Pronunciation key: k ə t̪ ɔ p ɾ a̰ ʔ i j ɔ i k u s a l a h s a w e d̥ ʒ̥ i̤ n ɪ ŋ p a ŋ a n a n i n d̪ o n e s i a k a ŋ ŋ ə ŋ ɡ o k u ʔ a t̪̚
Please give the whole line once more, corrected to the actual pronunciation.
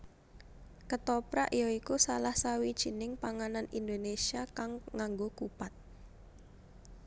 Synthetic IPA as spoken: k ə t̪ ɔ p ɾ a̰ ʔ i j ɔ i k u s a l a h s a w i d̥ ʒ̥ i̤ n ɪ ŋ p a ŋ a n a n i n d̪ o n e s i a k a ŋ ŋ a ŋ ɡ o k u p a t̪̚

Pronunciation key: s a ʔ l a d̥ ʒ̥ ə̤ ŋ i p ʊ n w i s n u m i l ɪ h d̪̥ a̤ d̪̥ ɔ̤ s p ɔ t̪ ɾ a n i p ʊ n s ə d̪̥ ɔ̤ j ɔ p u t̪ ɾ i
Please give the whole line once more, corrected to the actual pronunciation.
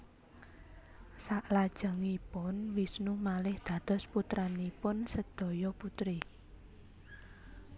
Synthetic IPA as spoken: s a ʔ l a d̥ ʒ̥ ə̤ ŋ i p ʊ n w i s n u m a l ɪ h d̪̥ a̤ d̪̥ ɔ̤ s p u t̪ ɾ a n i p ʊ n s ə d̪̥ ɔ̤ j ɔ p u t̪ ɾ i

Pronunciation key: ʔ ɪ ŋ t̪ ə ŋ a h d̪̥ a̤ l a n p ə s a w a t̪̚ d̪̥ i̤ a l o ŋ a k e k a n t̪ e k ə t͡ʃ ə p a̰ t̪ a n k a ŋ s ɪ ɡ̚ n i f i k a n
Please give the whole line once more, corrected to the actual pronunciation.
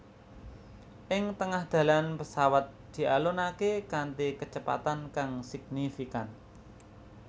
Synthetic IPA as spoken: ʔ ɪ ŋ t̪ ə ŋ a h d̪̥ a̤ l a n p ə s a w a t̪̚ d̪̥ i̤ a l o n a k e k a n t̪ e k ə t͡ʃ ə p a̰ t̪ a n k a ŋ s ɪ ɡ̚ n i f i k a n

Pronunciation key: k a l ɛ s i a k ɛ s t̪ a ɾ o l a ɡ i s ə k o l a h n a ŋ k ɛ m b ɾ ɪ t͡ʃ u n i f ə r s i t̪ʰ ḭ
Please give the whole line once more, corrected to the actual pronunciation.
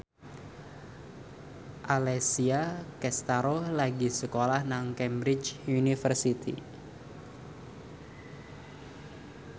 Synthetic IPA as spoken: ʔ a l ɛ s i a k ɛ s t̪ a ɾ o l a ɡ i s ə k o l a h n a ŋ k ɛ m b ɾ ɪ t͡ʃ u n i f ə r s i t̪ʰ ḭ

